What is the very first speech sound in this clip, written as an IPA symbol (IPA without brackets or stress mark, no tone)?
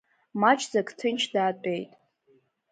m